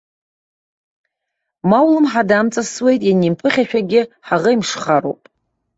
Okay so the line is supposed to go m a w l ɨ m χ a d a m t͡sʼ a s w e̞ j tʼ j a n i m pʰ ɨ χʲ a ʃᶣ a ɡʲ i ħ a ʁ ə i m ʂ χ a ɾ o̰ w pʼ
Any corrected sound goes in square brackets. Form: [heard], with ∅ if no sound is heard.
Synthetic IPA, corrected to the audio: m a w l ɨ m [ħ] a d a m t͡sʼ a s w e̞ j tʼ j a n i m pʰ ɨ χʲ a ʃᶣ a ɡʲ [ɪ] ħ a ʁ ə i m ʂ χ a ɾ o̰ w pʼ